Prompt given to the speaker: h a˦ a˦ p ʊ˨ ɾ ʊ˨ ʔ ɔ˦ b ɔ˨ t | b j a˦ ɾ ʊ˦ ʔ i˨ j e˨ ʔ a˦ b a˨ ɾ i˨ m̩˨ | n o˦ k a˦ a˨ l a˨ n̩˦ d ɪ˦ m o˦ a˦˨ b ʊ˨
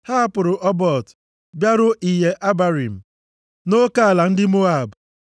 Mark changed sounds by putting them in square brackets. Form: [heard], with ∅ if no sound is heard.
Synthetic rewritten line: h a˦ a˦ p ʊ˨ ɾ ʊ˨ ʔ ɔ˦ b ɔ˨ t | b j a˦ ɾ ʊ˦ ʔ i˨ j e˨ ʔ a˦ b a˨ ɾ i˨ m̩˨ | n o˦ k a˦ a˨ l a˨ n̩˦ d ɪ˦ m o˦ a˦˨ b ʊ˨